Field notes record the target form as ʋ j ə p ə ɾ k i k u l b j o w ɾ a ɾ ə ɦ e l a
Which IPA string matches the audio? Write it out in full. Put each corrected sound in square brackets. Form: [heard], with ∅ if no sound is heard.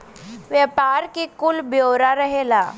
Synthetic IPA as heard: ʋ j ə p [a] ɾ k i k u l b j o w ɾ a ɾ ə ɦ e l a